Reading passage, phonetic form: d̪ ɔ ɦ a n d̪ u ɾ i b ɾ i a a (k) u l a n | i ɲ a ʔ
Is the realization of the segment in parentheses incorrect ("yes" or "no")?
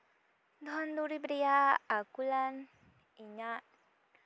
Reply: no